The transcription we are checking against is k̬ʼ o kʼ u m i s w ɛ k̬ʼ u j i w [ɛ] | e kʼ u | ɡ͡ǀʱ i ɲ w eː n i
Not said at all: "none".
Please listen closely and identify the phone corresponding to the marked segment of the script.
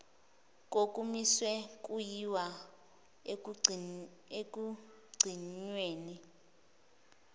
a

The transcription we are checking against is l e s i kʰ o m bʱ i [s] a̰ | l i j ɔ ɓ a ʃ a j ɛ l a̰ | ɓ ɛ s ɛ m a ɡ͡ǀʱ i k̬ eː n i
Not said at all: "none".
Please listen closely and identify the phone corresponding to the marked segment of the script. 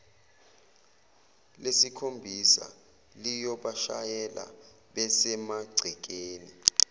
s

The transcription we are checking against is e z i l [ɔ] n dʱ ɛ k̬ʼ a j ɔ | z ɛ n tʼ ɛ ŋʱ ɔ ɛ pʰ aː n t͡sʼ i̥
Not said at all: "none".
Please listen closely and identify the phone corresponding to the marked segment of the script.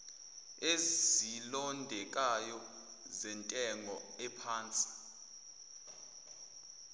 ɔ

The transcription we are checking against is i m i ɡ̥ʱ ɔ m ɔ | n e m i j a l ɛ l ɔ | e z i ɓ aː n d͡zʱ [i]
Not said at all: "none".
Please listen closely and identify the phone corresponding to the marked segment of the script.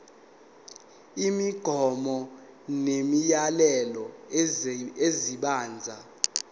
a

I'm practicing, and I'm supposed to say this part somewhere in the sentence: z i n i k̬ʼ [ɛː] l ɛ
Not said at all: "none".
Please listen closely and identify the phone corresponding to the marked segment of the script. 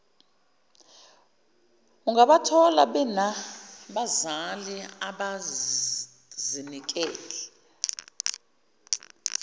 ɛː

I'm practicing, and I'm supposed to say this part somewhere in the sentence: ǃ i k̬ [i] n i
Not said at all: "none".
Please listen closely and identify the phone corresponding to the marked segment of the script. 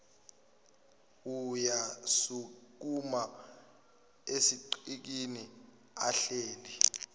i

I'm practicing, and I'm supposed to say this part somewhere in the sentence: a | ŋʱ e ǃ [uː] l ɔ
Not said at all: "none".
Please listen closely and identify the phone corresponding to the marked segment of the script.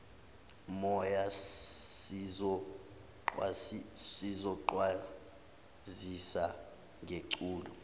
uː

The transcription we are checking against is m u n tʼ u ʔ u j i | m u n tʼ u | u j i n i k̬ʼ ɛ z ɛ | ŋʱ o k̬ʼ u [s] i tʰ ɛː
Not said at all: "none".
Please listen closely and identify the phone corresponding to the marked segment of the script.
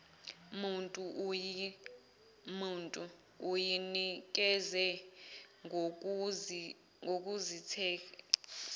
z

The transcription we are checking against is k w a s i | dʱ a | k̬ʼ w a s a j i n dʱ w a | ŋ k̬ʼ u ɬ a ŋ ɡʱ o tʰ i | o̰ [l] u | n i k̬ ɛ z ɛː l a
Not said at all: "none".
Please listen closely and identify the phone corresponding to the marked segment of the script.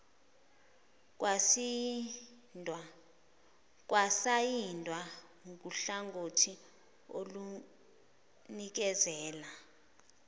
l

